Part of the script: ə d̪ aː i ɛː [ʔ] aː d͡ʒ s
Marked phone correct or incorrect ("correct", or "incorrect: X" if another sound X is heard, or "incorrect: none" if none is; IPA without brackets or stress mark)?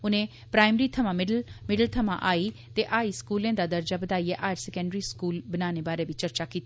correct